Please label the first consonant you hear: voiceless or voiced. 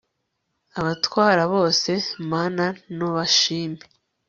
voiced